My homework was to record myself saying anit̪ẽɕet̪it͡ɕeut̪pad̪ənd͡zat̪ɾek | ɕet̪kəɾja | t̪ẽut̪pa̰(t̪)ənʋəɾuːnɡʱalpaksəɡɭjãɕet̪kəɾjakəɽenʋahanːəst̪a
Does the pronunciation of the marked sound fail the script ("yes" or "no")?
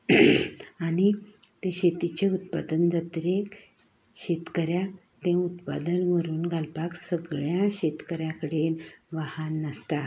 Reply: yes